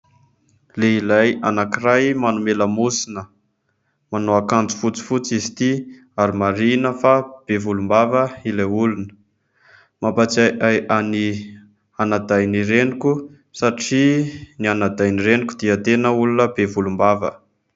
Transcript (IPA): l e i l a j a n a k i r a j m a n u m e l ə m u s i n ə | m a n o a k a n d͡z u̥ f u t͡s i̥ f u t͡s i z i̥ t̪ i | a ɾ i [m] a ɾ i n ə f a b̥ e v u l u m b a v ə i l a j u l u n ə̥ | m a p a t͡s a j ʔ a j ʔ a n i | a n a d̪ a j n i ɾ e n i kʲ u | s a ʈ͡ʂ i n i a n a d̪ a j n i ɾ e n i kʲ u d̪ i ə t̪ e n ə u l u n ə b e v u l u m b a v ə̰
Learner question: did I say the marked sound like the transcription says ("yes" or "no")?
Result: yes